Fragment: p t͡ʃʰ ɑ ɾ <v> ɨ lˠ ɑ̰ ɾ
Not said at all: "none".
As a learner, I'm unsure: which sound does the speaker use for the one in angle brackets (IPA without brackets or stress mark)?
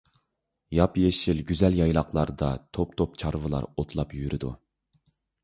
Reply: v